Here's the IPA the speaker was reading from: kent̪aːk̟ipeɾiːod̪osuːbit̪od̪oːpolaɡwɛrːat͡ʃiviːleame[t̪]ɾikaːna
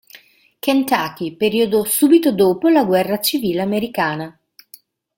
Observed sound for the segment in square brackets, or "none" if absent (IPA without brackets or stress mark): none